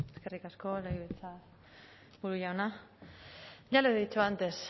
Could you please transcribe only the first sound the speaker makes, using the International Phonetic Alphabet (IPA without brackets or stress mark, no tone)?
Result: e̞